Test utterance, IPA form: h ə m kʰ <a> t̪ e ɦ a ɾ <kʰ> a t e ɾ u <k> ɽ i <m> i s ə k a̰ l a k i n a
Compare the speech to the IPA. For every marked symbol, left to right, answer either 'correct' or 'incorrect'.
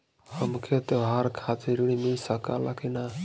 incorrect: e, correct, incorrect: none, correct

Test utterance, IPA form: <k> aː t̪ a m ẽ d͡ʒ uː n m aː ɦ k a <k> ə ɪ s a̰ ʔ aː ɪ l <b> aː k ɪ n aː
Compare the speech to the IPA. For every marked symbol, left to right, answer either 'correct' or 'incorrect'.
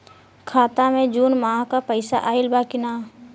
incorrect: kʰ, incorrect: p, correct

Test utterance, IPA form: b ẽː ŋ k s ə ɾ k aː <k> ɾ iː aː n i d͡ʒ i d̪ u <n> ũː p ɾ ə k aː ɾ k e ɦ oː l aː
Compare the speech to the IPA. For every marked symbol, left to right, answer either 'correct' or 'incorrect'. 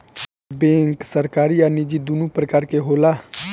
incorrect: none, correct

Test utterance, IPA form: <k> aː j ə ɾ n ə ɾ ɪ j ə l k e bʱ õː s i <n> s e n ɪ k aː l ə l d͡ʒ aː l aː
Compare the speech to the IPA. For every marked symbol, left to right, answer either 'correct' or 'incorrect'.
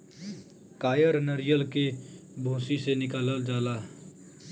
correct, incorrect: none

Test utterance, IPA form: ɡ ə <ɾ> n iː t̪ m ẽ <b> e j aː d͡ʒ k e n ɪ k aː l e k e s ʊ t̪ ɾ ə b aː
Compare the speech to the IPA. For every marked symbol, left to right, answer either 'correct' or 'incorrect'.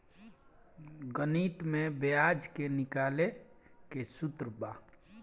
incorrect: none, correct

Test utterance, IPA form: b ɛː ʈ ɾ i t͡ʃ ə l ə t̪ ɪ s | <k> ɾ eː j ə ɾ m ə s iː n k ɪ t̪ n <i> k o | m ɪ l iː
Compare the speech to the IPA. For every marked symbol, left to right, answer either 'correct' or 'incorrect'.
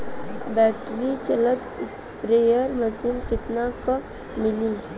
incorrect: p, incorrect: a

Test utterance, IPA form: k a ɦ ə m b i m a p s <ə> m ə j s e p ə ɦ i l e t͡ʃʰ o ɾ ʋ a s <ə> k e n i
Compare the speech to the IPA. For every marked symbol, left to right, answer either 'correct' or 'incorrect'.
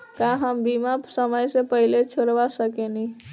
correct, correct

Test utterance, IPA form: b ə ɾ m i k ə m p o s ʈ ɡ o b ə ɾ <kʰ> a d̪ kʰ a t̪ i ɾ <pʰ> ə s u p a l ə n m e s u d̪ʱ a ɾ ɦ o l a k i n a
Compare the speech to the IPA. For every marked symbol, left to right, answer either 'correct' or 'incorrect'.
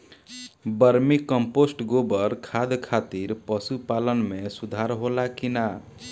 correct, incorrect: p

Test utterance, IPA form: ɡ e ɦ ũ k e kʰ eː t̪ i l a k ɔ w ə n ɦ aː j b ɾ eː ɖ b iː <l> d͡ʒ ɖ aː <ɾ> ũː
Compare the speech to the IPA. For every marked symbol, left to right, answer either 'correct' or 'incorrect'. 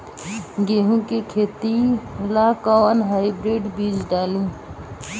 incorrect: none, incorrect: l

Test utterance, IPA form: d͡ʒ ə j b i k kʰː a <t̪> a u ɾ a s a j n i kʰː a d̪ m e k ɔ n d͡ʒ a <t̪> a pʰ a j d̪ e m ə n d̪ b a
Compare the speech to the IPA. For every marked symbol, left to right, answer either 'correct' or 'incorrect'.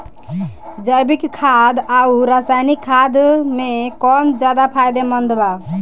incorrect: d̪, incorrect: d̪

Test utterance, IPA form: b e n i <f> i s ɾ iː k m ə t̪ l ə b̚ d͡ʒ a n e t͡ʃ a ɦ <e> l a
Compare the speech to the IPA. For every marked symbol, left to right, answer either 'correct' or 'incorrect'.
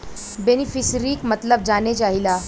correct, incorrect: i

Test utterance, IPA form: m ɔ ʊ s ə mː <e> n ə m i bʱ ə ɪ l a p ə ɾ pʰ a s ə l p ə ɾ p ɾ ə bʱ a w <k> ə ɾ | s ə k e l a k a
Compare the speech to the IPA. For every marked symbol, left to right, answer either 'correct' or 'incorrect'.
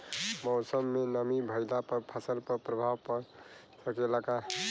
correct, incorrect: p

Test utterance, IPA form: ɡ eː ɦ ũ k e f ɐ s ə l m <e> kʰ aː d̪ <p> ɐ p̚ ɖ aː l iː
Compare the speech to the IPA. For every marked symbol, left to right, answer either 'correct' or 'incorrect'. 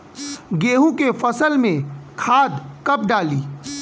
incorrect: ẽ, incorrect: k

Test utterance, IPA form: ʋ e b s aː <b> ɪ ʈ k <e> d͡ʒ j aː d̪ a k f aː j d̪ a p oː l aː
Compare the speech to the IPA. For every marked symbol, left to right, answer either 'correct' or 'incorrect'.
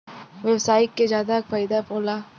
incorrect: none, correct

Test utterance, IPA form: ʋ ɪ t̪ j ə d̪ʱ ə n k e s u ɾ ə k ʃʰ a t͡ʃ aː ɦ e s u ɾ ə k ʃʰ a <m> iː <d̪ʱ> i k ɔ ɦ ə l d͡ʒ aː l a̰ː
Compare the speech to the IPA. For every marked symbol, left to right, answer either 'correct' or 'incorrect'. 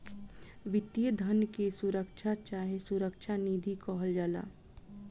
incorrect: n, correct

